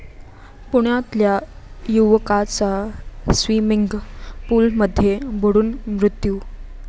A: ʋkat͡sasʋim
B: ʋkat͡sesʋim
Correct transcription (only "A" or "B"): A